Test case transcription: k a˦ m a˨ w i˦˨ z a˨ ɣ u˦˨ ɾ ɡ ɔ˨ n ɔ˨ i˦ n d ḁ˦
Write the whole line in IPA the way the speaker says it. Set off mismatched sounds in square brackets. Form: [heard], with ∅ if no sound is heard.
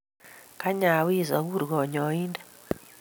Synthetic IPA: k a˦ [ɲ] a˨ w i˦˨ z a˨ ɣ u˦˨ ɾ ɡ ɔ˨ [ɲ] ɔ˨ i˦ n d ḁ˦